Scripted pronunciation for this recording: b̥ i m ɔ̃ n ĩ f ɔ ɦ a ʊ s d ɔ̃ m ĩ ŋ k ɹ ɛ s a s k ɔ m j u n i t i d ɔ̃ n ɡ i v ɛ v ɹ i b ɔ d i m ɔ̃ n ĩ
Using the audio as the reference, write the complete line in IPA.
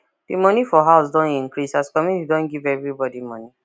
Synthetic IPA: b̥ i m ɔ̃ n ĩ f ɔ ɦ a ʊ s d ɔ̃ n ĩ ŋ k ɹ i s a s k ɔ m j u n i t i d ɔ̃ n ɡ i v ɛ v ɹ i b ɔ d i m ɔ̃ n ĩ